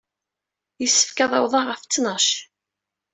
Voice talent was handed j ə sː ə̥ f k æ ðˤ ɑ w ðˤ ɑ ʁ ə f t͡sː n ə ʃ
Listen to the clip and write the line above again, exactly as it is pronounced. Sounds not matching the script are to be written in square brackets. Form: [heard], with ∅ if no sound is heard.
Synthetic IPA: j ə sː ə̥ f k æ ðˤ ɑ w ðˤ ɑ ʁ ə f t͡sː n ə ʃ

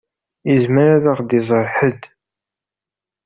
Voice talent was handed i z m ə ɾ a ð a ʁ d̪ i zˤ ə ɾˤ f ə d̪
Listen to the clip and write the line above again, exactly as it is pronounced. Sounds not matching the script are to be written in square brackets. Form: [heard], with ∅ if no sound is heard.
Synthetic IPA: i z m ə ɾ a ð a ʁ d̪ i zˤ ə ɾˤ [ħ] ə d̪

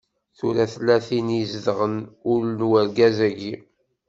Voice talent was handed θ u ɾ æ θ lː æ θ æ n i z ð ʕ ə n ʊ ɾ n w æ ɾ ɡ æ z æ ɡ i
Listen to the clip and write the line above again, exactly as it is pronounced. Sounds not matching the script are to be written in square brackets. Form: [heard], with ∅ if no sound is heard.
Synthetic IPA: θ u ɾ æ θ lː æ θ [i] n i z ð [ʁ] ə n ʊ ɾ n w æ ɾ ɡ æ z æ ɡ i

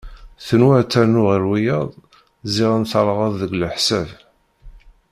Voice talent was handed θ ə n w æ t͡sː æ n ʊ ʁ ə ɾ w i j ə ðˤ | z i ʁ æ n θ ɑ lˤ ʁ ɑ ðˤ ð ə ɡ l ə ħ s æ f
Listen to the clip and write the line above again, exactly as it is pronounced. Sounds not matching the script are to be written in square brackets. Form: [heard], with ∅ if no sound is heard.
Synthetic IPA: θ ə n w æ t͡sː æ n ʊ ʁ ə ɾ w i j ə ðˤ | z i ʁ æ n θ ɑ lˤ ʁ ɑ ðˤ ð ə ɡ l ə ħ s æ [v]

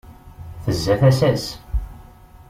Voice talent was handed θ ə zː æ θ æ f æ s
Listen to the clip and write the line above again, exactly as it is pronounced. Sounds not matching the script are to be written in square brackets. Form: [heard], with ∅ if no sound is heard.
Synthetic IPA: θ ə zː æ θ æ [s] æ s

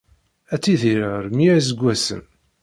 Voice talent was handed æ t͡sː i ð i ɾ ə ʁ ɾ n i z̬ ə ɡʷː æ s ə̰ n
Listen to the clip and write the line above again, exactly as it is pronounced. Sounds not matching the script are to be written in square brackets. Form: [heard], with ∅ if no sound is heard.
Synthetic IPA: æ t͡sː i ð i ɾ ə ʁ ɾ [m] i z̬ ə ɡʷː æ s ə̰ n

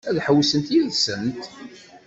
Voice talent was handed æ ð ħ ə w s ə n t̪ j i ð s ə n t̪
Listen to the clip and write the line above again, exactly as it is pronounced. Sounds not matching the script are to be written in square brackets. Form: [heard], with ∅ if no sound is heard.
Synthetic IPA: æ ð ħ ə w s ə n t̪ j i ð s ə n t̪

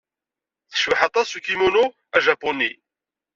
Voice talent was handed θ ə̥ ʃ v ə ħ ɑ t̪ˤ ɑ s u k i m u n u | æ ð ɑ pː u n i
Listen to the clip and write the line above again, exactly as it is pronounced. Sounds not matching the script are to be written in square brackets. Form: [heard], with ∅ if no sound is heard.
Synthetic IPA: θ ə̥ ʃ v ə ħ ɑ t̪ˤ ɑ s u k i m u n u | æ [ʒ] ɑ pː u n i

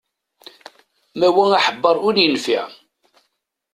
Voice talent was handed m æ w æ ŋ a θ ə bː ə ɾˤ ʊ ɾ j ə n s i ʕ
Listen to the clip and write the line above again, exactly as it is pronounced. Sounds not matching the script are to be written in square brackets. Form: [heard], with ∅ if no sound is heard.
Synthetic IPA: m æ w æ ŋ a [ħ] ə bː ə ɾˤ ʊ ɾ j ə n [f] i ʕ

